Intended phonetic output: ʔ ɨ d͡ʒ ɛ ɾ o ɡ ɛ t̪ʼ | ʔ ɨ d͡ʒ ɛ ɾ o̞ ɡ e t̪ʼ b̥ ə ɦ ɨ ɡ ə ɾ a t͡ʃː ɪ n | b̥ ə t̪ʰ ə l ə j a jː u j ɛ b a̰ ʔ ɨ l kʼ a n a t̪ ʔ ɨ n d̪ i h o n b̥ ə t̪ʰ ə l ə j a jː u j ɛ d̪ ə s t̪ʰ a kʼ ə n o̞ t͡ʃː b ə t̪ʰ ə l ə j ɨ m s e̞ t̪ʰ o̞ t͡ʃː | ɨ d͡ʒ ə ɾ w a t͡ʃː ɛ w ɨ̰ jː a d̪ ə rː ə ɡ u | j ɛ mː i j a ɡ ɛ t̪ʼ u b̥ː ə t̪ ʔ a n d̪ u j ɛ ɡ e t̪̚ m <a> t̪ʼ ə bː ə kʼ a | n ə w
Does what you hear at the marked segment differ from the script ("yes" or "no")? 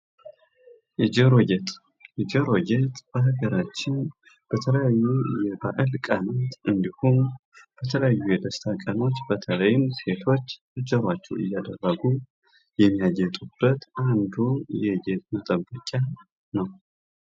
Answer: yes